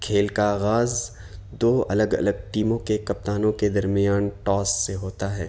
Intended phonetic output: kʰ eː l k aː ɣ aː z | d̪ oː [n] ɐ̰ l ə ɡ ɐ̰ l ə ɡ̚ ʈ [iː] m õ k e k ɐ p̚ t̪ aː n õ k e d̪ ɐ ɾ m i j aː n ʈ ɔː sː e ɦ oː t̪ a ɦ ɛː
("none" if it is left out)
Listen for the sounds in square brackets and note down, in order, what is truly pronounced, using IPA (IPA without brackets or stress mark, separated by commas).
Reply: none, iː